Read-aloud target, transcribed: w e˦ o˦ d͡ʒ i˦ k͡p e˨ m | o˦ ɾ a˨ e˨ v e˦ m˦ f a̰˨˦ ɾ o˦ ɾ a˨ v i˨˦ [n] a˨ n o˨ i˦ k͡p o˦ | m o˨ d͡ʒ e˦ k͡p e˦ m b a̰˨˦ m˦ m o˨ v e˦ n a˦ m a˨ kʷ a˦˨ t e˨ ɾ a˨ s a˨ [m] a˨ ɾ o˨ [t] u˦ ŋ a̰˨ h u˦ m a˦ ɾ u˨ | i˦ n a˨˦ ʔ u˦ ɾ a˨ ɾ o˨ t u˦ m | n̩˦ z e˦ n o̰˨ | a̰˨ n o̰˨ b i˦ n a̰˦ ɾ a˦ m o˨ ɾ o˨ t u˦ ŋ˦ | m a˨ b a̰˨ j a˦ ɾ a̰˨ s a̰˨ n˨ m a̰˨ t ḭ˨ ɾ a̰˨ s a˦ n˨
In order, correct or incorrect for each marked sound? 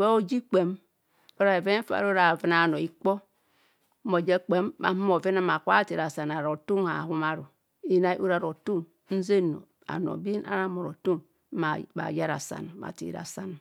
correct, incorrect, correct

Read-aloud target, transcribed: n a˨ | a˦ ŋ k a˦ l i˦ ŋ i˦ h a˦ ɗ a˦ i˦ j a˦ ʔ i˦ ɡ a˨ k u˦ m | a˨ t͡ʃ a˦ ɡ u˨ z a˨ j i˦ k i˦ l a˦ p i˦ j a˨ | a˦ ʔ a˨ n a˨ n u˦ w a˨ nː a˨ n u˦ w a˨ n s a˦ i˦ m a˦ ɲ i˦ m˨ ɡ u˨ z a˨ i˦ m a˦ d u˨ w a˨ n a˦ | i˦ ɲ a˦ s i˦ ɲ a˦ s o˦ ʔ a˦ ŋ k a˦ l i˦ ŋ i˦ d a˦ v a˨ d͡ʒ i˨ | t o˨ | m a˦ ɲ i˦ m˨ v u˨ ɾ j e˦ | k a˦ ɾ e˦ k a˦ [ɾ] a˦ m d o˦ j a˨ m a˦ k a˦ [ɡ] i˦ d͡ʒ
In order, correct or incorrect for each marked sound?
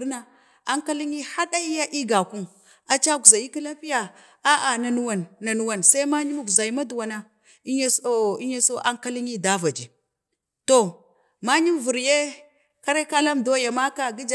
incorrect, correct

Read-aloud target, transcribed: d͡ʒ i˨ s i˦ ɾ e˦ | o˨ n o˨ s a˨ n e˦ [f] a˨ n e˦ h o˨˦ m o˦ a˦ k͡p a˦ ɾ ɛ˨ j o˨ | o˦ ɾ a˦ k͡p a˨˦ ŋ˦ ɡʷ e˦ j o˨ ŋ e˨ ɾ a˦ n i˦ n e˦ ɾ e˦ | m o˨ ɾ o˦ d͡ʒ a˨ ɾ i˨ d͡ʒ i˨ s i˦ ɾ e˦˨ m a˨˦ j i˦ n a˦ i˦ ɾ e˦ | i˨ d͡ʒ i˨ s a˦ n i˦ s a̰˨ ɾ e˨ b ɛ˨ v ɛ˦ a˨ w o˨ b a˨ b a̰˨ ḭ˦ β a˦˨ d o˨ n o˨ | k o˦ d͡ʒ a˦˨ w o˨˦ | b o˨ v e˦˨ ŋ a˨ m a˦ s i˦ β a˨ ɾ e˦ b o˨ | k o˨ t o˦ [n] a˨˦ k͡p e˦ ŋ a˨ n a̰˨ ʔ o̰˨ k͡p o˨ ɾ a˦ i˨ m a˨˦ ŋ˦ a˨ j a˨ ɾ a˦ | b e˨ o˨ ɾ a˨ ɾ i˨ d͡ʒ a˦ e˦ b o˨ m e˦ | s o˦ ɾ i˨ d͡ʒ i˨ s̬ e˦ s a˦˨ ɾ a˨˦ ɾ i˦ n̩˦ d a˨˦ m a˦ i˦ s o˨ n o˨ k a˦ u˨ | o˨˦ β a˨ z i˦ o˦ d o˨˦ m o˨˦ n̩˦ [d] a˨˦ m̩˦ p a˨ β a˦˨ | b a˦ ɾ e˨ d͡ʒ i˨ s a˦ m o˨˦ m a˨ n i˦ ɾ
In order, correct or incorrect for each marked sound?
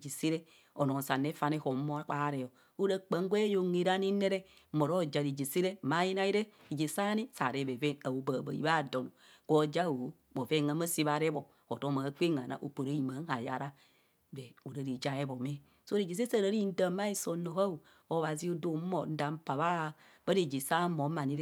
correct, incorrect, correct

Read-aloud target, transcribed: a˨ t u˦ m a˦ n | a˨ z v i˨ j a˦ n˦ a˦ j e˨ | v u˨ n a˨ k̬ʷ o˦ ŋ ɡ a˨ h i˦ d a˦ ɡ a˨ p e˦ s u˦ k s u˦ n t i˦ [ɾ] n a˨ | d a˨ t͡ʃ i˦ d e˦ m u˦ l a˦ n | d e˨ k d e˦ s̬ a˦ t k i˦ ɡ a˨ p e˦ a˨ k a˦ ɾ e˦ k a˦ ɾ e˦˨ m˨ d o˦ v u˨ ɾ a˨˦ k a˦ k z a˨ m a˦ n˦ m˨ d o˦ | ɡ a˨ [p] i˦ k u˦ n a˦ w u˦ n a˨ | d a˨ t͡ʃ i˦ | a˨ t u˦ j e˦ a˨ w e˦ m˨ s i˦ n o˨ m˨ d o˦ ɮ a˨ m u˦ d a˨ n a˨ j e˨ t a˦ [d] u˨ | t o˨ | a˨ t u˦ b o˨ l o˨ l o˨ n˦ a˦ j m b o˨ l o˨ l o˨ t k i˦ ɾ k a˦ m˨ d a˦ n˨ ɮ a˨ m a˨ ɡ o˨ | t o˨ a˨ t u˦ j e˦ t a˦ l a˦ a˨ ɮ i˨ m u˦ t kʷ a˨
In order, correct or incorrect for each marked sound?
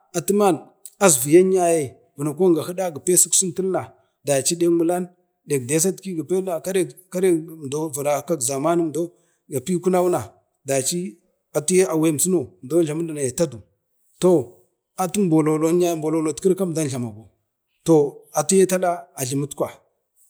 incorrect, correct, correct

